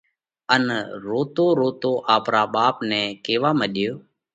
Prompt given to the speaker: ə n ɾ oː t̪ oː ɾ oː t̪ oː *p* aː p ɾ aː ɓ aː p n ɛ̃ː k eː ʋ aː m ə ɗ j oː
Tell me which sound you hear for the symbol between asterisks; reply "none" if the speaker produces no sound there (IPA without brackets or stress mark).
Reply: ʔ